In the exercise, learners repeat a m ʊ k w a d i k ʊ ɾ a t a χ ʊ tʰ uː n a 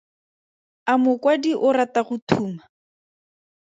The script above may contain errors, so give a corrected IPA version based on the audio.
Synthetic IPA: a m ʊ k w a d i ʔ ʊ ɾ a t a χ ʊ tʰ uː m a